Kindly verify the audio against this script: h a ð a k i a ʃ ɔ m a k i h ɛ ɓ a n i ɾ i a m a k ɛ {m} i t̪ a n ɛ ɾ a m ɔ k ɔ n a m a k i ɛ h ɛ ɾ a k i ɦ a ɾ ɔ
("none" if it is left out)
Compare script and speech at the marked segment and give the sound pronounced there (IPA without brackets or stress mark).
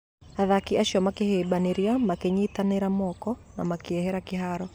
ɲ